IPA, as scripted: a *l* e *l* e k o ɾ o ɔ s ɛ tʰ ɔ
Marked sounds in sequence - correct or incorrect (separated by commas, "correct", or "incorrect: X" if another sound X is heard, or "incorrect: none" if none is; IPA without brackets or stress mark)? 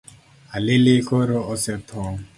correct, correct